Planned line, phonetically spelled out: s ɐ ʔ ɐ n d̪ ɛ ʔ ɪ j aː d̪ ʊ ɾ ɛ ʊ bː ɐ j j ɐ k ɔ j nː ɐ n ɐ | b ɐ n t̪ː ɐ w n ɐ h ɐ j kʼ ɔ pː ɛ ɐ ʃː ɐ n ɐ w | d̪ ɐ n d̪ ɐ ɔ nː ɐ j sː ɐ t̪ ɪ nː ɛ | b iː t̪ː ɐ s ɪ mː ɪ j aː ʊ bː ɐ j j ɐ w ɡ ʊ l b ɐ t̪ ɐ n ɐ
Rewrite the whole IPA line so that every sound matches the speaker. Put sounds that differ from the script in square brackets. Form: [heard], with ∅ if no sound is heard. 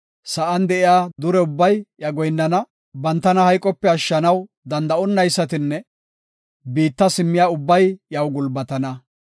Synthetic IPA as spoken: s ɐ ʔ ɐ n d̪ ɛ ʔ ɪ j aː d̪ ʊ ɾ ɛ ʊ bː ɐ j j ɐ [ɡ] ɔ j nː ɐ n ɐ | b ɐ n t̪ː ɐ [∅] n ɐ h ɐ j kʼ ɔ pː ɛ ɐ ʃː ɐ n ɐ w | d̪ ɐ n d̪ ɐ ɔ nː ɐ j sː ɐ t̪ ɪ nː ɛ | b iː t̪ː ɐ s ɪ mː ɪ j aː ʊ bː ɐ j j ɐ w ɡ ʊ l b ɐ t̪ ɐ n ɐ